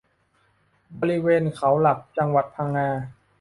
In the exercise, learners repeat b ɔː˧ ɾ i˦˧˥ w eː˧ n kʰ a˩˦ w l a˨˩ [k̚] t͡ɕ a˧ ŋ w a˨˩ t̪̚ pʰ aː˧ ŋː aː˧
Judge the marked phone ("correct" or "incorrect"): correct